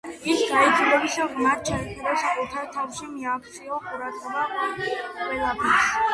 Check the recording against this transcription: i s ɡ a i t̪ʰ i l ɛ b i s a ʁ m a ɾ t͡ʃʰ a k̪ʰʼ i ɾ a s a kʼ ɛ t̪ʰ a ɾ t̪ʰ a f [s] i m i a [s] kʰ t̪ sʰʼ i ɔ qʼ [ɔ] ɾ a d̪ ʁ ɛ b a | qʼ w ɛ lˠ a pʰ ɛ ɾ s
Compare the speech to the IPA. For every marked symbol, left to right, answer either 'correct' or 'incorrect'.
incorrect, incorrect, incorrect

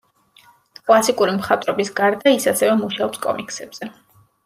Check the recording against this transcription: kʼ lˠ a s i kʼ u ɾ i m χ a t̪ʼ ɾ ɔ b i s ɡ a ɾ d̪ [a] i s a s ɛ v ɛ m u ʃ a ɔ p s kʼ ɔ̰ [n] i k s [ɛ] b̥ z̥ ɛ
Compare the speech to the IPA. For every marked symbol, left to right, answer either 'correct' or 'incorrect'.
correct, incorrect, correct

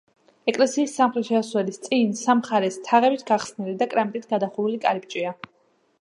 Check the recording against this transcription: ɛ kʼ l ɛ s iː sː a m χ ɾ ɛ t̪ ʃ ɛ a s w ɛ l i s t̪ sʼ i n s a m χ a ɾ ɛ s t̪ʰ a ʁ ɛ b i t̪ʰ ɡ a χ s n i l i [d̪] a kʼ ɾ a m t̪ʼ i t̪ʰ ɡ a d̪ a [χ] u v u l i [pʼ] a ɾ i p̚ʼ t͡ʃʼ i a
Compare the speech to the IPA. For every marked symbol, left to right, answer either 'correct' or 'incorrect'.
correct, correct, incorrect

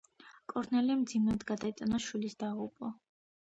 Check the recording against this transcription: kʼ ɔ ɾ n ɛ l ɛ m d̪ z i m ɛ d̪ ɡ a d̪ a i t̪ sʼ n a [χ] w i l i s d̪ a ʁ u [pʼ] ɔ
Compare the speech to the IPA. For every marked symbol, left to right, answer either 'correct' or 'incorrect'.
incorrect, correct

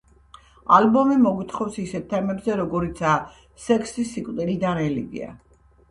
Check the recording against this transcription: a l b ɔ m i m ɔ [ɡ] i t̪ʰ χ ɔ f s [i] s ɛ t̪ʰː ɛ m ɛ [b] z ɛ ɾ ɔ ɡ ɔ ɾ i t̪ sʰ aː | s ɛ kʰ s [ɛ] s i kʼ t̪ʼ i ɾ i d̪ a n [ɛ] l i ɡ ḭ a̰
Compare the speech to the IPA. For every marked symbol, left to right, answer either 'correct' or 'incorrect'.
correct, correct, correct, incorrect, correct

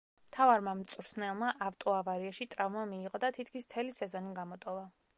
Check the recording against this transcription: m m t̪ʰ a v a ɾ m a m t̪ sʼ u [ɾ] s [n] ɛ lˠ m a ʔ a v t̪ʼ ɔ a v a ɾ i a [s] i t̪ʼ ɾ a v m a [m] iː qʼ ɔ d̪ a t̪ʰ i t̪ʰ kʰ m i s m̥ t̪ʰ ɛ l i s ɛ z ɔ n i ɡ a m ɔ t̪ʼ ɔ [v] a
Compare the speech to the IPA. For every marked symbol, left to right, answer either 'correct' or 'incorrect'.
correct, correct, incorrect, correct, correct

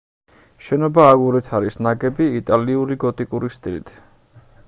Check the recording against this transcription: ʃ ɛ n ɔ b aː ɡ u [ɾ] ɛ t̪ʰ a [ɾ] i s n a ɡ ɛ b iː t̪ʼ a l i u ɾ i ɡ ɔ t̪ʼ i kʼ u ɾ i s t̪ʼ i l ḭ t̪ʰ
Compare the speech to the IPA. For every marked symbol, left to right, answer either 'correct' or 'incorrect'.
correct, correct

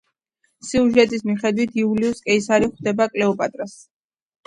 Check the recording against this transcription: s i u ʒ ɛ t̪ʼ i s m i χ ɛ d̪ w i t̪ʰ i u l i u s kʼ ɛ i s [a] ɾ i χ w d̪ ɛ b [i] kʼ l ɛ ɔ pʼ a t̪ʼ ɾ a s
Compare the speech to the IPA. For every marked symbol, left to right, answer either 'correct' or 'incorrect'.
correct, incorrect

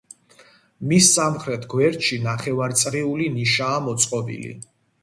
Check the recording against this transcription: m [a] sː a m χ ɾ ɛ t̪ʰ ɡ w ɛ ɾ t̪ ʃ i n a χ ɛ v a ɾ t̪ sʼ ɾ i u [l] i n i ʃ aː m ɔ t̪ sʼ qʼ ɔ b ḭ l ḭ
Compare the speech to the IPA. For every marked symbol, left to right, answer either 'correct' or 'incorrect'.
incorrect, correct

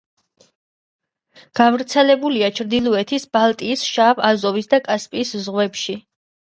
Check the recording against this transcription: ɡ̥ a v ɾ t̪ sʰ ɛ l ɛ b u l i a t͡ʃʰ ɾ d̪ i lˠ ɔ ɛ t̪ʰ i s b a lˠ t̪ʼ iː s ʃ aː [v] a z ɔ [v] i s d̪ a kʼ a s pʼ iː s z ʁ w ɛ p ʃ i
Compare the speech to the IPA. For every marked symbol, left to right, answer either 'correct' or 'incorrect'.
correct, correct

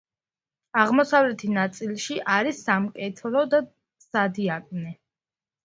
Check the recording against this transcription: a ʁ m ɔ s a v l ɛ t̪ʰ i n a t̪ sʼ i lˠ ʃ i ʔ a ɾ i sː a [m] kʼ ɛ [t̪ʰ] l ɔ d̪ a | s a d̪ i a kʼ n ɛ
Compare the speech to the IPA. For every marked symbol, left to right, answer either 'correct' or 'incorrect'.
correct, correct

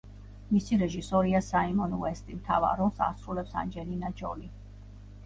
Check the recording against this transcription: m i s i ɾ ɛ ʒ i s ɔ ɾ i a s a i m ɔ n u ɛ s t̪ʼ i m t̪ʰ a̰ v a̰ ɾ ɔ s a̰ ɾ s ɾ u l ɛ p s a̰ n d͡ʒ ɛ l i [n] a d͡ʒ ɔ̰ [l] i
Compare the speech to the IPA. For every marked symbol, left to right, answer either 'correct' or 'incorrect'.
correct, correct

